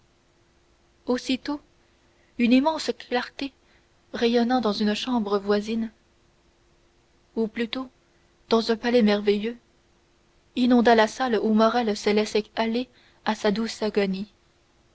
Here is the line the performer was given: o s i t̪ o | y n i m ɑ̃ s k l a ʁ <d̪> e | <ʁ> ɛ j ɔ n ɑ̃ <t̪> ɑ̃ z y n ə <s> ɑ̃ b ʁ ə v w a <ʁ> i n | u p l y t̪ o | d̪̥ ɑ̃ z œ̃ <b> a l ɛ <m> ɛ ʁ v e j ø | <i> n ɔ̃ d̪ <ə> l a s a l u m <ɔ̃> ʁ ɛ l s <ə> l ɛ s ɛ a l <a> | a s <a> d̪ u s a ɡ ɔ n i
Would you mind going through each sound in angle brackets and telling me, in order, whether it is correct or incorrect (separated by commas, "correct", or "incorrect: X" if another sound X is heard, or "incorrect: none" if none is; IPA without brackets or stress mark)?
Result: incorrect: t̪, correct, incorrect: d̪, incorrect: ʃ, incorrect: z, incorrect: p, correct, correct, incorrect: a, incorrect: ɔ, correct, incorrect: e, correct